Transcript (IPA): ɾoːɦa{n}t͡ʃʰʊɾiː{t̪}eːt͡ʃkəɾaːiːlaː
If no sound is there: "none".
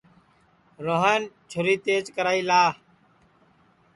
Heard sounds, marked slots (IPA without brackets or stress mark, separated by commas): n, t̪